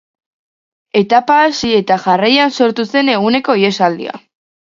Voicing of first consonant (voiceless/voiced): voiceless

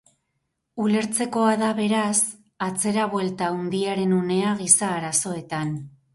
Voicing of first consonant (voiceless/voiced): voiced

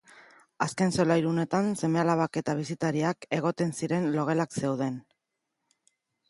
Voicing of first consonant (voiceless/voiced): voiceless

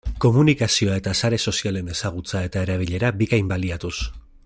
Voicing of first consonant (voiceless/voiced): voiceless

